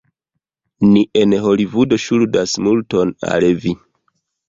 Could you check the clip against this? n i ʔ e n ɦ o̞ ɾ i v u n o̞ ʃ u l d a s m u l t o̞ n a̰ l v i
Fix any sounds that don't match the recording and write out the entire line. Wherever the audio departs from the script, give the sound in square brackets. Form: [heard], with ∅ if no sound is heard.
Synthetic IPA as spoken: n i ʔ e n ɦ o̞ [l] i v u [d] o̞ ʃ u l d a s m u l t o̞ n a̰ l v i